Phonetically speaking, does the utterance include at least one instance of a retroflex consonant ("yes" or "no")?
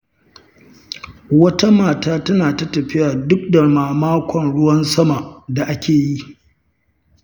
yes